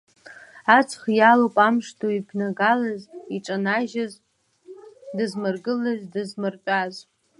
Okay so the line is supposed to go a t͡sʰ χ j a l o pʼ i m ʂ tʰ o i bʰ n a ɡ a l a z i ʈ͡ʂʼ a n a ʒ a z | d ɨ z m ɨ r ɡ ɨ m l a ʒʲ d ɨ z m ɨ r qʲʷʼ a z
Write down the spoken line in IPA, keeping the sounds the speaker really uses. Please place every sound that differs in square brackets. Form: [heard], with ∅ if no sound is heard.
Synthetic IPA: a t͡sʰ χ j a l o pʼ [a] m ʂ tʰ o i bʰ n a ɡ a l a z i ʈ͡ʂʼ a n a ʒ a z | d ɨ z m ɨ r ɡ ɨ [∅] l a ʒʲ d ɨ z m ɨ r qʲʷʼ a z

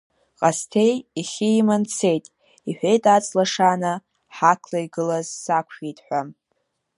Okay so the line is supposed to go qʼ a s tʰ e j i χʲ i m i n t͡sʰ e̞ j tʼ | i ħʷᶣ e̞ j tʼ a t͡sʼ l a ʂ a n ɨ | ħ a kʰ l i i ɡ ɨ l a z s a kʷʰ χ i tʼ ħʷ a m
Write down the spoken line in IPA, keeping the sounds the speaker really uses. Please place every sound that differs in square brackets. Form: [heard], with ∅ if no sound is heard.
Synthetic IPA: qʼ a s tʰ e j i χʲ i m [a] n t͡sʰ e̞ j tʼ | i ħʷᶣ e̞ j tʼ a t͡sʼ l a ʂ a n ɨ | ħ a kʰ l [a] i ɡ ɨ l a z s a kʷʰ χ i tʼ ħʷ a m

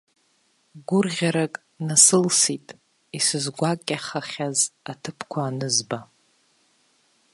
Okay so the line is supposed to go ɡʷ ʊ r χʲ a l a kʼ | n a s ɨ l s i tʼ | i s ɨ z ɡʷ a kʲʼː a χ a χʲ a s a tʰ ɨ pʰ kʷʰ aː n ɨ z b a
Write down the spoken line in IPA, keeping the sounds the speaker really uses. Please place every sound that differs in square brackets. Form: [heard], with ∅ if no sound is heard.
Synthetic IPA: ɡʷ ʊ r [ʁʲ] a [ɾ] a kʼ | n a s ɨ l s i tʼ | i s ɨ z ɡʷ a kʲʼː a χ a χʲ a [z] a tʰ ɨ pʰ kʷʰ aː n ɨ z b a

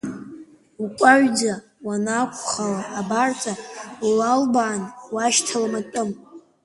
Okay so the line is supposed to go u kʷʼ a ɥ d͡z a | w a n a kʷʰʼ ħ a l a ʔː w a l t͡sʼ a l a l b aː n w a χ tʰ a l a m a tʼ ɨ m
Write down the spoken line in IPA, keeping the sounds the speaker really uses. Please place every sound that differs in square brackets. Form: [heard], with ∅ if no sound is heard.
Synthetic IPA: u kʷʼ a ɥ d͡z a | w a n a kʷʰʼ [χ] a l a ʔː [b] a [r] t͡sʼ a l a l b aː n w a [ʃ] tʰ a l a m a tʼ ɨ m

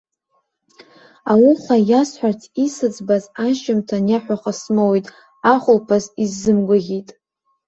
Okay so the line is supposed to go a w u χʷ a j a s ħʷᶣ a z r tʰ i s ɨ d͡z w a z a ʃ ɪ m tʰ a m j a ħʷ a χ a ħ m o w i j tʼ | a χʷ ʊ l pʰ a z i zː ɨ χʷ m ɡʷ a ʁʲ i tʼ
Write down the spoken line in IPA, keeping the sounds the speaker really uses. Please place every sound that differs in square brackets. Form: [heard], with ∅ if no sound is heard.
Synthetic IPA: a w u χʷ a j a s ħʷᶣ a [∅] r tʰ i s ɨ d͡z [b] a z a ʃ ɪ m tʰ a [n] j a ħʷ a χ a [s] m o w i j tʼ | a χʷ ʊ l pʰ a z i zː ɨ [∅] m ɡʷ a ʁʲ i tʼ

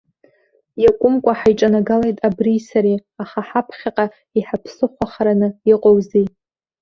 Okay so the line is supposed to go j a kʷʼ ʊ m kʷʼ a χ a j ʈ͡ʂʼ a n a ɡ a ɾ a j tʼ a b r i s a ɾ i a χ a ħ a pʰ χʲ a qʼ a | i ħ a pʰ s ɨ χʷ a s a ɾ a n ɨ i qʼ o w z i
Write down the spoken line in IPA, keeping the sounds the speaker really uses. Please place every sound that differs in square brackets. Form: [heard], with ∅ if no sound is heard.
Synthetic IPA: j a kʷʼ ʊ m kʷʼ a [ħ] a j ʈ͡ʂʼ a n a ɡ a [l] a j tʼ a b r i s a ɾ i a χ a ħ a pʰ χʲ a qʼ a | i ħ a pʰ s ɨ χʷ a [χ] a ɾ a n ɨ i qʼ o w z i

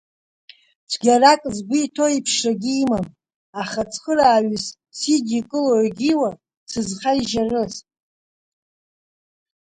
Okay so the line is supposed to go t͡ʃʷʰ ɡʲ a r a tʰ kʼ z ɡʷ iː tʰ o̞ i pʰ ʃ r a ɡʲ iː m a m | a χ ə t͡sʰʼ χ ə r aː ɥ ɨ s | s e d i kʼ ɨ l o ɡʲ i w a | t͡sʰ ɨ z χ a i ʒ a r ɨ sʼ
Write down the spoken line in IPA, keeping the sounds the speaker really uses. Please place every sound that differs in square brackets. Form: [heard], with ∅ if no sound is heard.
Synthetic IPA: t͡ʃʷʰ ɡʲ a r a [∅] kʼ z ɡʷ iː tʰ o̞ i pʰ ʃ r a ɡʲ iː m a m | a χ [a] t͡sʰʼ χ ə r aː ɥ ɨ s | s [i] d i kʼ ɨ l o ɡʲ i w a | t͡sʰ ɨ z χ a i ʒ a r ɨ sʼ

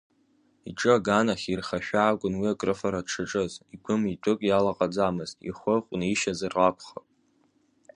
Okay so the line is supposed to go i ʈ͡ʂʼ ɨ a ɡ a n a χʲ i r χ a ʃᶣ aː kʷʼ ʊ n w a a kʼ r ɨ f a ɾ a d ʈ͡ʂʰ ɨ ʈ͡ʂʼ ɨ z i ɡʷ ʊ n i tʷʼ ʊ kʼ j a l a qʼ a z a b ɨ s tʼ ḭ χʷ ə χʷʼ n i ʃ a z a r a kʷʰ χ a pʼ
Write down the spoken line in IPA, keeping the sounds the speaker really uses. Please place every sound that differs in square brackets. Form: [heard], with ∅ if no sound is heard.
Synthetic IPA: i ʈ͡ʂʼ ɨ a ɡ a n a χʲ i r χ a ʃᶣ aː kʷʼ ʊ n w [i] a kʼ r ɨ f a ɾ a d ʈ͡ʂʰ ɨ ʈ͡ʂʼ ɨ z i ɡʷ ʊ [m] i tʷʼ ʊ kʼ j a l a qʼ a [d͡z] a [m] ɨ [z] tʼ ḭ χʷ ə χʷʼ n i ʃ a z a r a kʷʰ χ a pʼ

